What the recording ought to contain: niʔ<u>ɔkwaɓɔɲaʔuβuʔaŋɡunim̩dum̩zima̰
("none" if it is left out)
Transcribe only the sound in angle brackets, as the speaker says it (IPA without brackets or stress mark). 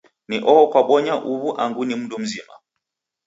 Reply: ɔ